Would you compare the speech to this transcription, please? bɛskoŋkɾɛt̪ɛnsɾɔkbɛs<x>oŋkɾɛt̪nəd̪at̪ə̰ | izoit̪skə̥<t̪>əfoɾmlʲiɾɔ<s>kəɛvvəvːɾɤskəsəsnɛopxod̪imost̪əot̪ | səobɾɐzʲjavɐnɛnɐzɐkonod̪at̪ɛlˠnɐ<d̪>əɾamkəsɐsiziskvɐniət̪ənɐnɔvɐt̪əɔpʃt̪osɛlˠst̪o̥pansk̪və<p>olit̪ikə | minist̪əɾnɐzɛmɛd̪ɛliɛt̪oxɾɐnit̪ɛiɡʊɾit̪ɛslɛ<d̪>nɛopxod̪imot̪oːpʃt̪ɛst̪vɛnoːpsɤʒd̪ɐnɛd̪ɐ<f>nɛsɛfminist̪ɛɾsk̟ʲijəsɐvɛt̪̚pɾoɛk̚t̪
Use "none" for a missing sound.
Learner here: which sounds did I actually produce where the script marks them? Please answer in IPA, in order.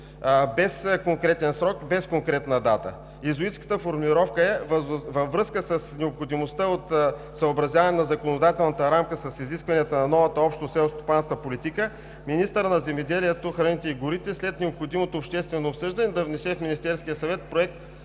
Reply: k, t̪, f, t̪, p, t̪, v

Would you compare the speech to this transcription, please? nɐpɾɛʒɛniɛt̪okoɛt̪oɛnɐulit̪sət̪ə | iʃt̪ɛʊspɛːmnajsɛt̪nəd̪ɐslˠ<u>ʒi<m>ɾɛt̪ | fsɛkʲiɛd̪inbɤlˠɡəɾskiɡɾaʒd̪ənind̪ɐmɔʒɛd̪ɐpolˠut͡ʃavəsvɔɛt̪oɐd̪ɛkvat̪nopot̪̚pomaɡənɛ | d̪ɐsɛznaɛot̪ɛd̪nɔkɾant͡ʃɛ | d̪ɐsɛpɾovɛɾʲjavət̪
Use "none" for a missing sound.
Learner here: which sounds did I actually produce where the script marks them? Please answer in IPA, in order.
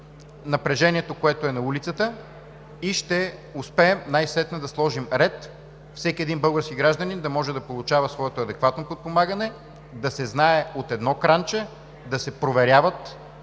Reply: ɔ, m

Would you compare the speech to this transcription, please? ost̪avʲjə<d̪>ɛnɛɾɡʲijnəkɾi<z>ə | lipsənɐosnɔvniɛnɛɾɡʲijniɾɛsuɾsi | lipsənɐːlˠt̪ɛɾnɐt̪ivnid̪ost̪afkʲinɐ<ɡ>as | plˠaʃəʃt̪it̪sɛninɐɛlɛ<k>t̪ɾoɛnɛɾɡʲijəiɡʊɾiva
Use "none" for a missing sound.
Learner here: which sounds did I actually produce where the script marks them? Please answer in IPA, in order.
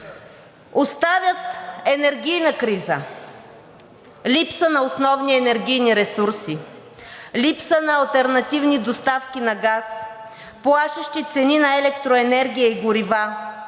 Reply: t̪, z, ɡ, k

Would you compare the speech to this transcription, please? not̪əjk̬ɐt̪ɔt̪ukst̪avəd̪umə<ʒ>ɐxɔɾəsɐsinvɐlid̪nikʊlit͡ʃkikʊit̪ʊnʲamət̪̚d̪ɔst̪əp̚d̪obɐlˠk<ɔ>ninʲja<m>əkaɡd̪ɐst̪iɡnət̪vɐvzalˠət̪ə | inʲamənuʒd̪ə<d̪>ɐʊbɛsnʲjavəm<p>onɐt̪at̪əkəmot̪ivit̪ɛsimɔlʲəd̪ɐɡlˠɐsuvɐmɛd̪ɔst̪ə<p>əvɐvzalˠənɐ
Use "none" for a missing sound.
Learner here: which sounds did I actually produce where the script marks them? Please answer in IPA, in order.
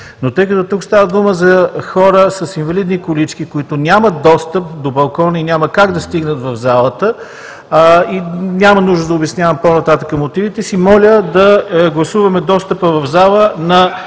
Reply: z, ɔ, m, d̪, p, p

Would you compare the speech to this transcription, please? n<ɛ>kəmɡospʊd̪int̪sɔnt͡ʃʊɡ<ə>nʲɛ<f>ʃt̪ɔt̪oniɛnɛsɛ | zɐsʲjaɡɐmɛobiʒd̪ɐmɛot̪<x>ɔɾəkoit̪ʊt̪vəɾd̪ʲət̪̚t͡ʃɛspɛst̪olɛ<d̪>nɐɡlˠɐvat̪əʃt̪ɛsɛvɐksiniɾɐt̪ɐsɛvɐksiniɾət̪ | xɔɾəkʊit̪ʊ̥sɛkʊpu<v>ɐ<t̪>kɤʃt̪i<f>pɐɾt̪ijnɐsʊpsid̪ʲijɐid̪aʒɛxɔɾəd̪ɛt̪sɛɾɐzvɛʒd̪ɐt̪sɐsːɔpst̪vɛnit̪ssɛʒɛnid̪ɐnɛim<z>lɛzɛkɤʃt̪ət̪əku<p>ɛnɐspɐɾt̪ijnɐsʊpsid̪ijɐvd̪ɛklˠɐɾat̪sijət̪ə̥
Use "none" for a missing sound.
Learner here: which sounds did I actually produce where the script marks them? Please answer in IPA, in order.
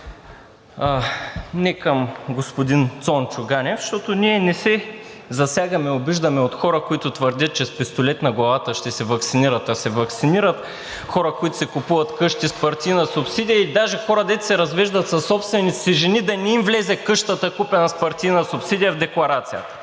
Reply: ɛ, a, f, x, t̪, v, t̪, s, v, p

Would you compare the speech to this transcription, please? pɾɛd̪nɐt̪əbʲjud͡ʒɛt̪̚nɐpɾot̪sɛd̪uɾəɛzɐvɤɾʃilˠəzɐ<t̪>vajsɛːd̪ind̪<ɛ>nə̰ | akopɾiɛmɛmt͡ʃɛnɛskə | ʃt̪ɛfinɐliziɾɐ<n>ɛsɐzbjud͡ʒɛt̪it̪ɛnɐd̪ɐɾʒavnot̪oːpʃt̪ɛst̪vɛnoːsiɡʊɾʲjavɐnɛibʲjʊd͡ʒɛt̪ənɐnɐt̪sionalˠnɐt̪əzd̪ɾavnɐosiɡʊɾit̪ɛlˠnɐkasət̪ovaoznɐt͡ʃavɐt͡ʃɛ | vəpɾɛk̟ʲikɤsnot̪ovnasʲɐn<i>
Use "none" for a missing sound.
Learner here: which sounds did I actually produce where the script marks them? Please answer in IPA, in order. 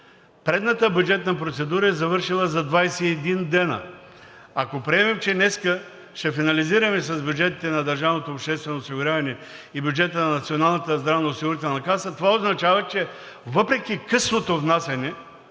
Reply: d̪, ɛ, m, ɛ

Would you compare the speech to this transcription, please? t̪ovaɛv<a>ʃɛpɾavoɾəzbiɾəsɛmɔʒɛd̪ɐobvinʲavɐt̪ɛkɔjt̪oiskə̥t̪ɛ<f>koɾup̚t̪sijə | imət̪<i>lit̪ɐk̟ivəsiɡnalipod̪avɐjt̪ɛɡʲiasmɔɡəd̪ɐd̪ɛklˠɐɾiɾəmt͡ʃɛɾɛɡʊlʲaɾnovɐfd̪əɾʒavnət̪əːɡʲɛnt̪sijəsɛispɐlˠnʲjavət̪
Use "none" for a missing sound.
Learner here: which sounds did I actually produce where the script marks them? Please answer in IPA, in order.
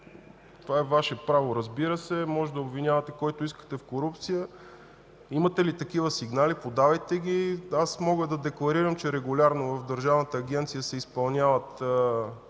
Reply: a, f, ɛ

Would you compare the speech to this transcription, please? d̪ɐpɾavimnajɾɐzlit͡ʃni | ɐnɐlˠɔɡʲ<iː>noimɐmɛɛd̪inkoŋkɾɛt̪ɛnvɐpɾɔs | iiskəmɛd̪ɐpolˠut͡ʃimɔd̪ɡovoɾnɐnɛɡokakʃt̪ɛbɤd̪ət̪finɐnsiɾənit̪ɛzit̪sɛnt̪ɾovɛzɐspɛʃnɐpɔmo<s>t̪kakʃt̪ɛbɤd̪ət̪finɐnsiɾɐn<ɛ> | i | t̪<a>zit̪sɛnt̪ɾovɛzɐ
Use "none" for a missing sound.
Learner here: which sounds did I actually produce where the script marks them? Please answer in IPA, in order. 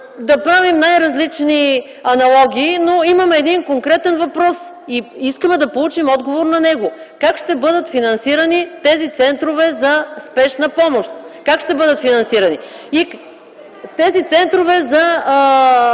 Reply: iː, ʃ, i, ɛ

